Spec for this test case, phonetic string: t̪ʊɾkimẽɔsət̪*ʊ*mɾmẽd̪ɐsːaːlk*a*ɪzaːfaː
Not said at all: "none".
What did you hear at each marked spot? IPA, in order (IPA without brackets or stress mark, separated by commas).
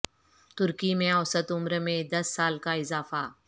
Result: ʊ, a